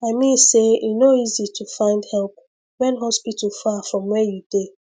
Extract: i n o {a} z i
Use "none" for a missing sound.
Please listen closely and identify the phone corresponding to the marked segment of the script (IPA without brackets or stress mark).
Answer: i